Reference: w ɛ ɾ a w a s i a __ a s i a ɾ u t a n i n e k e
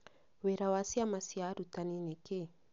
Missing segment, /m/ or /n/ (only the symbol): m